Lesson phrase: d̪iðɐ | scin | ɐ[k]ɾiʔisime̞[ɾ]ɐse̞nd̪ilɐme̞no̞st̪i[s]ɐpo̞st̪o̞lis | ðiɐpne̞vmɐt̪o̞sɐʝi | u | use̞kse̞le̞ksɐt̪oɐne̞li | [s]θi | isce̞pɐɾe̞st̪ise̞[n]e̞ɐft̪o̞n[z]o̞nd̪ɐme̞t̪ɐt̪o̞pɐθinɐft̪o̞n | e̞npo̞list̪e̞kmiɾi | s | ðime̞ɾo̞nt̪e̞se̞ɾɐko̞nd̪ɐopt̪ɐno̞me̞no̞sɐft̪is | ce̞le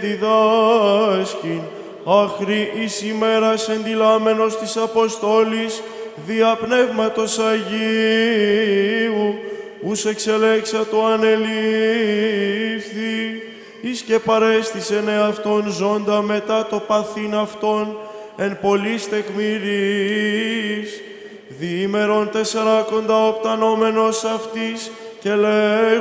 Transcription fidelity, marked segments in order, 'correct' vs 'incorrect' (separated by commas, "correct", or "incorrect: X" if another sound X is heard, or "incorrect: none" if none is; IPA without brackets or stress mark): incorrect: x, correct, correct, incorrect: f, correct, correct